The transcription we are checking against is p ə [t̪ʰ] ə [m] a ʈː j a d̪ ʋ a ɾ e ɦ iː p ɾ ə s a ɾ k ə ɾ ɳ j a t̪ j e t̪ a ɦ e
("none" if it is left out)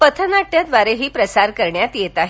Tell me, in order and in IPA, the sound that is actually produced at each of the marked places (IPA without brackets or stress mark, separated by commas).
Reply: t̪ʰ, n